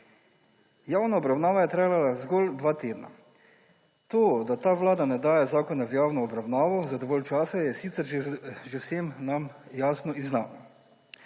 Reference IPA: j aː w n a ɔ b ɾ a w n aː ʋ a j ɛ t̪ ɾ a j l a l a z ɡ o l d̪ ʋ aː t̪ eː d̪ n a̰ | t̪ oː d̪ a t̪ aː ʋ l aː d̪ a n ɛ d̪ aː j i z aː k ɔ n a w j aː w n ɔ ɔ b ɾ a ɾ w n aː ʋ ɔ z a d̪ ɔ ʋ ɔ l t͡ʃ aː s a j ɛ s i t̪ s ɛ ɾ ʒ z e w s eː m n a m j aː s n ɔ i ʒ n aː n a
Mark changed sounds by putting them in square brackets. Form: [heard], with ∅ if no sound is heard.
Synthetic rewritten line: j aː w n a ɔ b ɾ a w n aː ʋ a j ɛ t̪ ɾ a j l a l a z ɡ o l d̪ ʋ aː t̪ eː d̪ n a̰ | t̪ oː d̪ a t̪ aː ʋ l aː d̪ a n ɛ d̪ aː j [ɛ] z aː k ɔ n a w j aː w n ɔ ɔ b ɾ a [∅] w n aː ʋ ɔ z a d̪ ɔ ʋ ɔ l t͡ʃ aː s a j ɛ s i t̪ s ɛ ɾ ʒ [ʒ] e w s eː m n a m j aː s n ɔ i [z] n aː n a